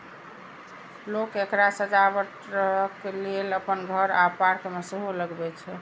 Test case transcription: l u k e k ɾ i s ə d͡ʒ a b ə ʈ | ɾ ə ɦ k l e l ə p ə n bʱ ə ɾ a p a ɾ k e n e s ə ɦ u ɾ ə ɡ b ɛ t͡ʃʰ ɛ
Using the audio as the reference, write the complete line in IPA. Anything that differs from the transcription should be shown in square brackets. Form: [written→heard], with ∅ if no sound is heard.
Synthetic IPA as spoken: l [u→o] k e k ɾ [i→a] s ə d͡ʒ a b ə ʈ | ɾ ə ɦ k l e l ə p ə n [bʱ→ɡʱ] ə ɾ a p a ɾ k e [n→m] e s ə ɦ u [ɾ→l] ə ɡ b ɛ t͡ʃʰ ɛ